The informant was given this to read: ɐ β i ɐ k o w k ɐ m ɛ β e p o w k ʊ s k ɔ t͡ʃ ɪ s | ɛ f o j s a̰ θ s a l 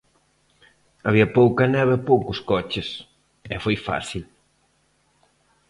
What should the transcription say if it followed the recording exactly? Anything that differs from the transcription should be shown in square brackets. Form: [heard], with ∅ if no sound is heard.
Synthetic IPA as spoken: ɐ β i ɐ [p] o w k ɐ [n] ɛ β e p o w k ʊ s k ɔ t͡ʃ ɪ s | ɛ f o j [f] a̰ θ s [i] l